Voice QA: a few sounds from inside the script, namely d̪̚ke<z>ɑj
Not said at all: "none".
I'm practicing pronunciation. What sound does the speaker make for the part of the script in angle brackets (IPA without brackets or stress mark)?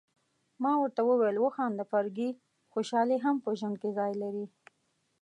z